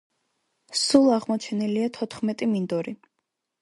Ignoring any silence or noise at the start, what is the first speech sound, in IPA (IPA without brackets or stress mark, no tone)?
s